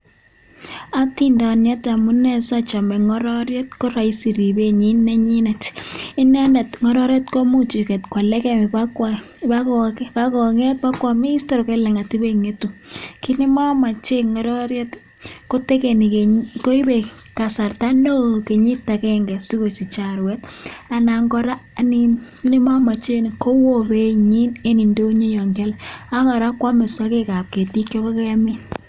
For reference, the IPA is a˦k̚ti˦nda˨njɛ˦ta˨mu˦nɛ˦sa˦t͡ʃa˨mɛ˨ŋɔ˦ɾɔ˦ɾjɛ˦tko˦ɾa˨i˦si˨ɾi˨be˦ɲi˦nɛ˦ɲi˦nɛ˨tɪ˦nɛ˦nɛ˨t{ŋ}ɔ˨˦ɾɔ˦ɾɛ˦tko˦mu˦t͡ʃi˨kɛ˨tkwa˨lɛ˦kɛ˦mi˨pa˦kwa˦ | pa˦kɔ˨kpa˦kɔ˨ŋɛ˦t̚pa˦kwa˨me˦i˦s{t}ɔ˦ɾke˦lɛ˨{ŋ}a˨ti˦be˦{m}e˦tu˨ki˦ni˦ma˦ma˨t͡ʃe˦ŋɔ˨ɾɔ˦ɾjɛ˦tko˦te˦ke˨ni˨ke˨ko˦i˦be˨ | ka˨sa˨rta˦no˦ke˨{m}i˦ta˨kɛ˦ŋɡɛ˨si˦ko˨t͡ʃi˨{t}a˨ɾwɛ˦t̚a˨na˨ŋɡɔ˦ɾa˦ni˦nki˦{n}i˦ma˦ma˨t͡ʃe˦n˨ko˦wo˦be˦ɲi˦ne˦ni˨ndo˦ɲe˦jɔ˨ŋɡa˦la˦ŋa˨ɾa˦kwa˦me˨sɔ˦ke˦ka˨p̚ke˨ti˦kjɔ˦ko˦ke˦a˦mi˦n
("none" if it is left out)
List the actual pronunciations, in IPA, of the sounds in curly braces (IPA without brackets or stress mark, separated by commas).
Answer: ŋ, t, ŋ, ŋ, ɲ, t͡ʃ, n